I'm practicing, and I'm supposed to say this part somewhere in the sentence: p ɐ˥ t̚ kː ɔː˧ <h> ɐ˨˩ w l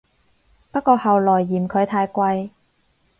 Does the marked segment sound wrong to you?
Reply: no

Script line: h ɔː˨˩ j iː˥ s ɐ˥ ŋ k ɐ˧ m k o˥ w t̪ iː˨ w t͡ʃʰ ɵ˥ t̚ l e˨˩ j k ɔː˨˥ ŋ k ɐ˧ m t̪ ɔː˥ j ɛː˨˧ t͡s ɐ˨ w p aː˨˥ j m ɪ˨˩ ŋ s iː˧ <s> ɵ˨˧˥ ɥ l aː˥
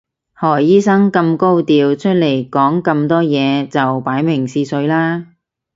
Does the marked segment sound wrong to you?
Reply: no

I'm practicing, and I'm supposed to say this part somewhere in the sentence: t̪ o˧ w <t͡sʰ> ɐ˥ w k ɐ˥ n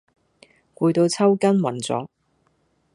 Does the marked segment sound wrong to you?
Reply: no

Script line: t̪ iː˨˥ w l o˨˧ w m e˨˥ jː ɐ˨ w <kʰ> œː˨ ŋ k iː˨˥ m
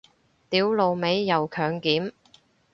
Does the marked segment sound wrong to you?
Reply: no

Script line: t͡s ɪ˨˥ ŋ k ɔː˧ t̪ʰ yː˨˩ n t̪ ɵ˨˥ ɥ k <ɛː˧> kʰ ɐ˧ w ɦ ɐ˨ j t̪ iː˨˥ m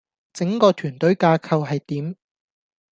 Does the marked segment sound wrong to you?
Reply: yes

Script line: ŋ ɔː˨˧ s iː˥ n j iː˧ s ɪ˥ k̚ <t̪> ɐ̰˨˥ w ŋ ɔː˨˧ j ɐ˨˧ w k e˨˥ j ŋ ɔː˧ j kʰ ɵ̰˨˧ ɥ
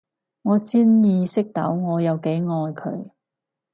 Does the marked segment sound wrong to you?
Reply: no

